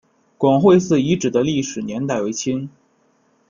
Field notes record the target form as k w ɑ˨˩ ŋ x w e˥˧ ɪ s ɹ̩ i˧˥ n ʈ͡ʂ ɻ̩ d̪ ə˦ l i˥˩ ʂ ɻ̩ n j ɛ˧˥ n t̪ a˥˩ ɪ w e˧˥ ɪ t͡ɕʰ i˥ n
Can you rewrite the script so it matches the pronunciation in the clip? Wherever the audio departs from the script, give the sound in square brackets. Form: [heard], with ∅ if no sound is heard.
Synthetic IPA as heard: k w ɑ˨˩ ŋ x w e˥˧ ɪ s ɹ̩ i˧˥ [∅] ʈ͡ʂ ɻ̩ d̪ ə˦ l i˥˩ ʂ ɻ̩ n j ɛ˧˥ n t̪ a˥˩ ɪ w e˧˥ ɪ t͡ɕʰ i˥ n